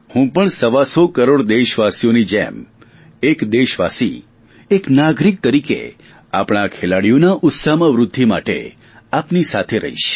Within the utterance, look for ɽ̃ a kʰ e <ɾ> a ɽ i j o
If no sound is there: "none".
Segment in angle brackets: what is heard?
l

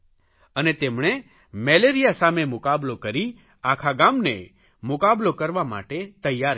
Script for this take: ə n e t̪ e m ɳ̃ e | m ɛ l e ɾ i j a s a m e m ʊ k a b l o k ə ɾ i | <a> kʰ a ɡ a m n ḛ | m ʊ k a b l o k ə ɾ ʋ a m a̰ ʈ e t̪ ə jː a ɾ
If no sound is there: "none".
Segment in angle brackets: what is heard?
a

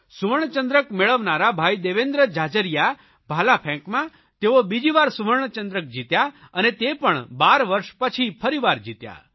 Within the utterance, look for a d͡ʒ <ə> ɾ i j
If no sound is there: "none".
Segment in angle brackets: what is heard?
ə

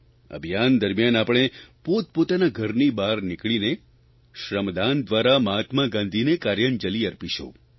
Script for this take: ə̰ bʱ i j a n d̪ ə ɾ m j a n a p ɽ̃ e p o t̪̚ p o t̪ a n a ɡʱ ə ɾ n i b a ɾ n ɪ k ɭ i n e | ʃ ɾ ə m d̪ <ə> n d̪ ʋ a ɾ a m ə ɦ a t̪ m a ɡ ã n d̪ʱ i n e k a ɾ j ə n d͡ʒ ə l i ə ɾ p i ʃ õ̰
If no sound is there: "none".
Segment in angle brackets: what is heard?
a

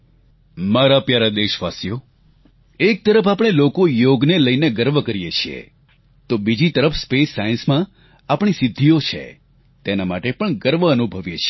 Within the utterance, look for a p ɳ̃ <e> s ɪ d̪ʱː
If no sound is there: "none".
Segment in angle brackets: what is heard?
i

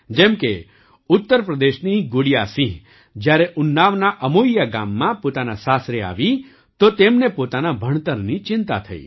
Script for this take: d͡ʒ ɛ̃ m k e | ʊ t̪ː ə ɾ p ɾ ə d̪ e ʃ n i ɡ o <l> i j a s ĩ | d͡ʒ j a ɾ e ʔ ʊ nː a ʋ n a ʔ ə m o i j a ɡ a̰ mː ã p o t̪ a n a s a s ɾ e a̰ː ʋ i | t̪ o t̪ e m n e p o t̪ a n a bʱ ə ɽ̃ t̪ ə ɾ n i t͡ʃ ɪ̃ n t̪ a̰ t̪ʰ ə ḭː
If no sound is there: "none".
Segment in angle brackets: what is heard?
ɽ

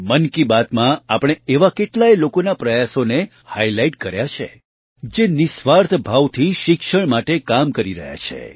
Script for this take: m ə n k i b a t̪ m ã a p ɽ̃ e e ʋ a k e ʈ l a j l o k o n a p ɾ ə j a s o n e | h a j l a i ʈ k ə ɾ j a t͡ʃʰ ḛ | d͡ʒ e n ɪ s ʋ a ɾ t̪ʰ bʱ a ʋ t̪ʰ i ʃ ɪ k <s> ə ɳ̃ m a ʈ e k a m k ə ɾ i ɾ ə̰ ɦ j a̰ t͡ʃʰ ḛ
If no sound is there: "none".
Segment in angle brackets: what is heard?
ʃ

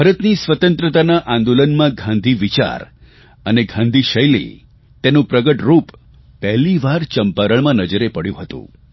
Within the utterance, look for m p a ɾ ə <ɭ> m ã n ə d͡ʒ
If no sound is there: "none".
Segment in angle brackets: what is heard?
ɭ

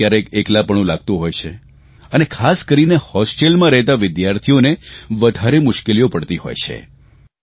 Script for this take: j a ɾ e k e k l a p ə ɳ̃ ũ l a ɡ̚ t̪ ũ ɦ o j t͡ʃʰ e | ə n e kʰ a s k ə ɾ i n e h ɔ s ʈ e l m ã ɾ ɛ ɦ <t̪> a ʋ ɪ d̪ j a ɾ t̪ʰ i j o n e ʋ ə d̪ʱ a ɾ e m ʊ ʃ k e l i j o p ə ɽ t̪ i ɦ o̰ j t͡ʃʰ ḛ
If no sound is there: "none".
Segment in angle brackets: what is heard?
t̪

